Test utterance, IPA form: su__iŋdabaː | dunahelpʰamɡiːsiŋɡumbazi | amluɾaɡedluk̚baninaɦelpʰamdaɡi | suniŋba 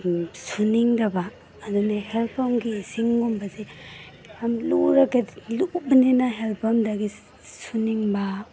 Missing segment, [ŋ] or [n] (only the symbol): n